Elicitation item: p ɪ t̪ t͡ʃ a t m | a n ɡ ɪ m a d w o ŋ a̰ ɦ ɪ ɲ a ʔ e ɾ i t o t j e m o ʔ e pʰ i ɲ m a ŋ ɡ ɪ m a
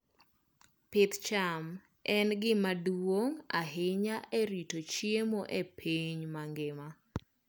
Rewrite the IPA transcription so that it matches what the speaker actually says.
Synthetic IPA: p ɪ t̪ t͡ʃ a m | ɛ n ɡ ɪ m a d w o ŋ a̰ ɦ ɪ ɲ a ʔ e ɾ i t o t͡ʃ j e m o ʔ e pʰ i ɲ m a ŋ ɡ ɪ m a